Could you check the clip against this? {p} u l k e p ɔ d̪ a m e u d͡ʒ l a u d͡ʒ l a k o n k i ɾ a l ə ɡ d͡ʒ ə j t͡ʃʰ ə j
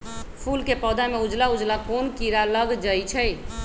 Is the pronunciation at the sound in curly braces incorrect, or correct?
incorrect